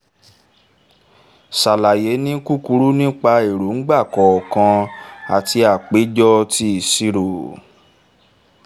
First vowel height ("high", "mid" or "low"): low